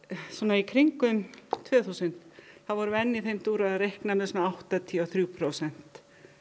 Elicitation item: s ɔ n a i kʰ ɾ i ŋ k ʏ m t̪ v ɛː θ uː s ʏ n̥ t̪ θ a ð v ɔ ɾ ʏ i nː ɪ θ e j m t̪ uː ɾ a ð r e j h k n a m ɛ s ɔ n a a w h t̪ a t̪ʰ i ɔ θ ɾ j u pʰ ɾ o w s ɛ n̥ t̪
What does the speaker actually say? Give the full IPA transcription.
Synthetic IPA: s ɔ n a i kʰ ɾ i ŋ k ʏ m t̪ʰ v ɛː θ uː s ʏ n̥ t̪ θ a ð v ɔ ɾ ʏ ɛ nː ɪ θ e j m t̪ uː ɾ a ð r e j h k n a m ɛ s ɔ n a a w h t̪ a t̪ʰ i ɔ θ ɾ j u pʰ ɾ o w s ɛ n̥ t̪

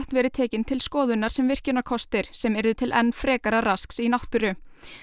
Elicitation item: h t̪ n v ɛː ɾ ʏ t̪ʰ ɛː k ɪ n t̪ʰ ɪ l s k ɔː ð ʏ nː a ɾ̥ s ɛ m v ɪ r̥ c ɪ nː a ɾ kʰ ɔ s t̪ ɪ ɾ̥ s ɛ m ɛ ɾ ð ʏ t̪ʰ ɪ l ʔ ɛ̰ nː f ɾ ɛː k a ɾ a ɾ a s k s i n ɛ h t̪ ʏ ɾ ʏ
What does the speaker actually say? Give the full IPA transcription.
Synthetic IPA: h t̪ n v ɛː ɾ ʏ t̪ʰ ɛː c ɪ n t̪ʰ ɪ l s k ɔː ð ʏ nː a ɾ̥ s ɛ m v ɪ r̥ c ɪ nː a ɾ kʰ ɔ s t̪ ɪ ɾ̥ s ɛ m ɛ ɾ ð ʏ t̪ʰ ɪ l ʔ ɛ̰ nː f ɾ ɛː k a ɾ a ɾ a s k s i n a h t̪ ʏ ɾ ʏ

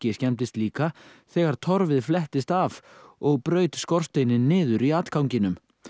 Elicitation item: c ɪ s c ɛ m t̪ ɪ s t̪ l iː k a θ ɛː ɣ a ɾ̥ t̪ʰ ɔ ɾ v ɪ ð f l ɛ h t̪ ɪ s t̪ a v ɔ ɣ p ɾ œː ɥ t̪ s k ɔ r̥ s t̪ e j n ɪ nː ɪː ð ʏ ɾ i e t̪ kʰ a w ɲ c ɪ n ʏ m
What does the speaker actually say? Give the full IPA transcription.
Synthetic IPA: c ɪ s c ɛ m t̪ ɪ s t̪ l iː k a θ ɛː ɣ a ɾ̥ t̪ʰ ɔ ɾ v ɪ ð f l ɛ h t̪ ɪ s t̪ a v ɔ ɣ p ɾ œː ɥ t̪ s k ɔ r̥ s t̪ e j n ɪ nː ɪː ð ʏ ɾ i a t̪ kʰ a w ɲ c ɪ n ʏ m

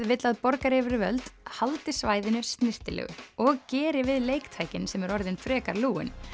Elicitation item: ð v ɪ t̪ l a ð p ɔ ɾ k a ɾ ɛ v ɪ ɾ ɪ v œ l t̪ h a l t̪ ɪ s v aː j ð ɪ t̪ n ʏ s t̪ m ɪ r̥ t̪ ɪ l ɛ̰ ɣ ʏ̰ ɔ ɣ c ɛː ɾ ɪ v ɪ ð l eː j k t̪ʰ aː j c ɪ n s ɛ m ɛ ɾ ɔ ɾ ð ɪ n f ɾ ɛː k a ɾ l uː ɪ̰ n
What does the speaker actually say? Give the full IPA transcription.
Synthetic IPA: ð v ɪ t̪ l a ð p ɔ ɾ k a ɾ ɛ v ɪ ɾ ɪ v œ l t̪ h a l t̪ ɪ s v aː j ð ɪ n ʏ s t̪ n ɪ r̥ t̪ ɪ l ɛ̰ ɣ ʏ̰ ɔ ɣ c ɛː ɾ ɪ v ɪ ð l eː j k t̪ʰ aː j c ɪ n s ɛ m ɛ ɾ ɔ ɾ ð ɪ n f ɾ ɛː k a ɾ l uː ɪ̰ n

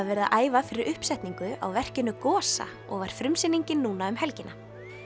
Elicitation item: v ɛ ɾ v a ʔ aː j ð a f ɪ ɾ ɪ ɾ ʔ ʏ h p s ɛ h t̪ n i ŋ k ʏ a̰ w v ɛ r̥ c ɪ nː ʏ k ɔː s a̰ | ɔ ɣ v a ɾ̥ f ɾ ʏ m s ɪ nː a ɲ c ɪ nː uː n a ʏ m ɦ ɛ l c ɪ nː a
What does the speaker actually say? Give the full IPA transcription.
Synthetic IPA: v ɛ ɾ ð a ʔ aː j v a f ɪ ɾ ɪ ɾ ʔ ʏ h p s ɛ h t̪ n i ŋ k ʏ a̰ w v ɛ r̥ c ɪ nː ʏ k ɔː s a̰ | ɔ ɣ v a ɾ̥ f ɾ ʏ m s ɪ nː i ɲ c ɪ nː uː n a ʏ m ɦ ɛ l c ɪ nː a

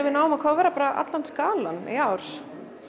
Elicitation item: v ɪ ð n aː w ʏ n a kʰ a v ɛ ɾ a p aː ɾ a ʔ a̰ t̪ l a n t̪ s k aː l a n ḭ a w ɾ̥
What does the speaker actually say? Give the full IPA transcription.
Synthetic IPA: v ɪ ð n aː w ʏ m a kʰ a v ɛ ɾ a p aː ɾ a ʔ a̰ t̪ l a n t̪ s k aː l a n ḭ a w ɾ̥

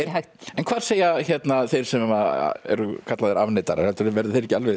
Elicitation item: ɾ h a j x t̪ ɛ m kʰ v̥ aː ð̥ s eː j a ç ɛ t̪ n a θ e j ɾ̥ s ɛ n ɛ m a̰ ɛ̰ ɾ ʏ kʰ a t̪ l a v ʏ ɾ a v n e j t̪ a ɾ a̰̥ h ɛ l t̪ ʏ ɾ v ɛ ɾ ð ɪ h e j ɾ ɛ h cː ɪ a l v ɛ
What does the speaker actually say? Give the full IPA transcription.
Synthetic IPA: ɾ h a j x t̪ ɛ n kʰ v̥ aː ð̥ s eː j a ç ɛ t̪ n a θ e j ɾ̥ s ɛ m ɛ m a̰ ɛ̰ ɾ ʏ kʰ a t̪ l a ð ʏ ɾ a v n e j t̪ a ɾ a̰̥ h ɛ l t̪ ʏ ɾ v ɛ ɾ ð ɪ θ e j ɾ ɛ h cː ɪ a l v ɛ

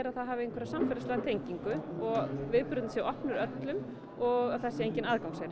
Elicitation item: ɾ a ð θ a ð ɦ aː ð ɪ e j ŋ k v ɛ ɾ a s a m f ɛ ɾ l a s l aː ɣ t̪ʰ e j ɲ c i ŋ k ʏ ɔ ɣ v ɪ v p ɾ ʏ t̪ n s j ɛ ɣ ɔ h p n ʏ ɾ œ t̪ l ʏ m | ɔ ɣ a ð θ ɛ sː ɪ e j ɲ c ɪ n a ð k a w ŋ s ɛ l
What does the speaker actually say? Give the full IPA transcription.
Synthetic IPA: ɾ a ð θ a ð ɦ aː v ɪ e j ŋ k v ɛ ɾ a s a m f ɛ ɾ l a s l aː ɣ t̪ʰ e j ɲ c i ŋ k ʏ ɔ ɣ v ɪ ð p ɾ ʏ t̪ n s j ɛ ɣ ɔ h p n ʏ ɾ œ t̪ l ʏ m | ɔ ɣ a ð θ ɛ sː ɪ e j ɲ c ɪ n a ð k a w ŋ s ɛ ɾ

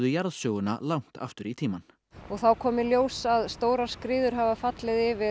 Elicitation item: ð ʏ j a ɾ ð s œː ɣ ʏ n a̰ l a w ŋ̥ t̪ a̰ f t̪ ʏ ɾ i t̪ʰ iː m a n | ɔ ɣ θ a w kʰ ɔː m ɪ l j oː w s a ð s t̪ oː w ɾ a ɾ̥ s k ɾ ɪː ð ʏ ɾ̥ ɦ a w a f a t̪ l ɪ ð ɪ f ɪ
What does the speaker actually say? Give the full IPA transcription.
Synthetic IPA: ð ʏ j a ɾ ð s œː ɣ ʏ n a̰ l a w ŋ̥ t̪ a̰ f t̪ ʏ ɾ i t̪ʰ iː m a n | ɔ ɣ θ a w kʰ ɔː m ɪ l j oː w s a ð s t̪ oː w ɾ a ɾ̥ s k ɾ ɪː ð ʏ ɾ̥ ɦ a v a f a t̪ l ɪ ð ɪ v ɪ

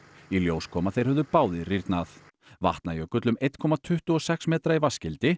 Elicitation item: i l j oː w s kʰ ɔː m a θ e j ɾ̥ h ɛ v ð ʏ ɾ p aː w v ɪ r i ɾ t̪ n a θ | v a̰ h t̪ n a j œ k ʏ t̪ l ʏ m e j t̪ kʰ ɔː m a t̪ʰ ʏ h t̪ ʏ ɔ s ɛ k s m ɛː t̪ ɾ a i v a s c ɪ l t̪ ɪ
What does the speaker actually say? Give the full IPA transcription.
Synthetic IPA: i l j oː w s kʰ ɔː m a θ e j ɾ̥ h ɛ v ð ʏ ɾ p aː w ð ɪ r i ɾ t̪ n a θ | v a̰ h t̪ n a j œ k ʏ t̪ l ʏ m e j t̪ kʰ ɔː m a t̪ʰ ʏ h t̪ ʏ ɔ s ɛ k s m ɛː t̪ ɾ a i v a s c ɪ l t̪ ɪ

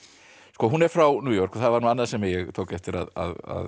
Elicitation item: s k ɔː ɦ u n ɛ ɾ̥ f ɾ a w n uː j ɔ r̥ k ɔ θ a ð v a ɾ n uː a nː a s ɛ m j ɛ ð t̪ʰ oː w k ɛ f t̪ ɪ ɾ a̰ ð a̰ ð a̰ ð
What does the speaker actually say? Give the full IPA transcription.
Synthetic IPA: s k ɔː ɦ u n ɛ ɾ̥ f ɾ a w n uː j ɔ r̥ k ɔ θ a ð v a ɾ n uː a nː a s ɛ m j ɛ ɣ t̪ʰ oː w k ɛ f t̪ ɪ ɾ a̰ ð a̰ ð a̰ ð

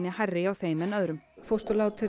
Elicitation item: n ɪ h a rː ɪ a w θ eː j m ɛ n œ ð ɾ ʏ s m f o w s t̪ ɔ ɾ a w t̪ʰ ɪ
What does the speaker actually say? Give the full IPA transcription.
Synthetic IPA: n ɪ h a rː ɪ a w θ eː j m ɛ n œ ð ɾ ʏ m f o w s t̪ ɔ l a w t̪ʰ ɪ

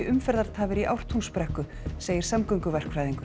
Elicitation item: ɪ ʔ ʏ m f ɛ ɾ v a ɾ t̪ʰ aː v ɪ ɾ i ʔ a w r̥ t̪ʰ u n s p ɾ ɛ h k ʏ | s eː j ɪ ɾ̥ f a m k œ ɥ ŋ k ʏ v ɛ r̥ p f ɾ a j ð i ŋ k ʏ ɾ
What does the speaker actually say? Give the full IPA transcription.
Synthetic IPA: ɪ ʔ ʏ m f ɛ ɾ ð a ɾ t̪ʰ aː v ɪ ɾ i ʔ a w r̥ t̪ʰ u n s p ɾ ɛ h k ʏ | s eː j ɪ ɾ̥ s a m k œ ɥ ŋ k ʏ v ɛ r̥ k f ɾ a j ð i ŋ k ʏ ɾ

